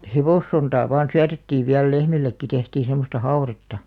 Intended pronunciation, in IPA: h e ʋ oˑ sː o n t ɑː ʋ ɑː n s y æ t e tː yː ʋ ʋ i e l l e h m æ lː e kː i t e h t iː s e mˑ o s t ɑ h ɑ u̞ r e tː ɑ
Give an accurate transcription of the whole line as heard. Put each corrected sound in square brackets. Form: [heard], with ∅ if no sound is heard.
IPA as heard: h e ʋ oˑ sː o n t ɑː ʋ ɑː n s y æ t e tː [iː] ʋ ʋ i [æ] l l e h m [i] lː e kː i t e h t iː s e mˑ o s t ɑ h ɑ u̞ r e tː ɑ

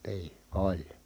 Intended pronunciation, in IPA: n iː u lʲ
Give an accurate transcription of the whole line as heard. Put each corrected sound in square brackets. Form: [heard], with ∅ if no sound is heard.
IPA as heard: n iː [o] lʲ

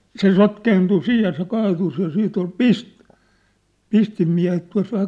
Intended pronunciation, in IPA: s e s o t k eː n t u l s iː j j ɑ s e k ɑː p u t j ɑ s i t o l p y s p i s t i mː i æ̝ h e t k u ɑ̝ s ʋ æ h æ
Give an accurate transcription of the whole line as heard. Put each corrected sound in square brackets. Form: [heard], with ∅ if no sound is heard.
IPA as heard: s e s o t k eː n t u [∅] s iː j j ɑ s e k ɑː [t] u [s] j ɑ s [iː] t o l p [i] s p i s t i mː i æ̝ h e t [t] u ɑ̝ s ʋ æ h æ

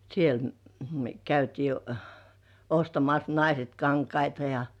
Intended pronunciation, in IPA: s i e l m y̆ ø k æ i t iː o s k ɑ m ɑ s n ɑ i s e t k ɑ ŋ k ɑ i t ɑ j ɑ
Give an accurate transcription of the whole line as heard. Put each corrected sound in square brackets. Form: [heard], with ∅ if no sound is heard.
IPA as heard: s i e l m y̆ ø k æ [y] t iː o s [t] ɑ m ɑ s n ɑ i s e t k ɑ ŋ k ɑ i t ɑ j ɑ

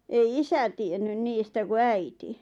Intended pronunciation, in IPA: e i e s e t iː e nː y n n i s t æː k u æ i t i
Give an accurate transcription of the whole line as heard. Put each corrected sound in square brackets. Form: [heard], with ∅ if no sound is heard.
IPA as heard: e i [i] s [æ] t [i] e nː y n n [iː] s t [æ] k u æ i t i

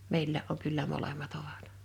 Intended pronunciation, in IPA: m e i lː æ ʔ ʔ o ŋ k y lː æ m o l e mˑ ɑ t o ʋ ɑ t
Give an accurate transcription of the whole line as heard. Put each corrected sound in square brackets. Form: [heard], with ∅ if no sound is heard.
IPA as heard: m e i lː [æː] ʔ ʔ o ŋ k y lː æ m o l e mˑ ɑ t o ʋ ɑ t

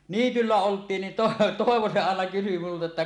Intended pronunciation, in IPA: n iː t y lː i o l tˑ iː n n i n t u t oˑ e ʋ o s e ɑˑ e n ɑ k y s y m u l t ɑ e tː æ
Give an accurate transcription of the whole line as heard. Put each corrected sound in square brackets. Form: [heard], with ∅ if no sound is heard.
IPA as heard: n iː t y lː [æ] o l tˑ iː n n i n t [o] t oˑ e ʋ o s e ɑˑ e n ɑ k y s y m u l t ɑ e tː æ

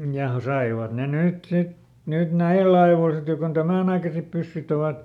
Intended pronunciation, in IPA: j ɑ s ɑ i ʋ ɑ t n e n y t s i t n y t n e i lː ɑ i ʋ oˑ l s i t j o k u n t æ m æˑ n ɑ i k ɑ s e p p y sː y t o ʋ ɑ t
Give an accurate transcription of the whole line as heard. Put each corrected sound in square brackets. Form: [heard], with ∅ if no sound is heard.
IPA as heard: j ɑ s ɑ i ʋ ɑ t n e n y t s i t n y t n [æ] i lː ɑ i ʋ oˑ l s i t j o k [o] n t æ m æˑ n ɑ i k ɑ s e p p y sː y t o ʋ ɑ t

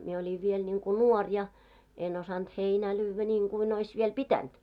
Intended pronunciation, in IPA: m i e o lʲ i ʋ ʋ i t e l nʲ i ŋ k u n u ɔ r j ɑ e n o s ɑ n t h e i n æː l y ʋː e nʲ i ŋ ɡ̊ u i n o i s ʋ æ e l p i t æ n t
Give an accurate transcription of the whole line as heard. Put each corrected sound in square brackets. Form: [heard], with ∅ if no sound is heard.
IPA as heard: m i e o lʲ i ʋ ʋ i [∅] e l nʲ i ŋ k u n u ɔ r j ɑ e n o s ɑ n t h e i n æː l [yː] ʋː [æ] nʲ [iː] ŋ ɡ̊ u i n o i s ʋ [i] e l p i t æ n t

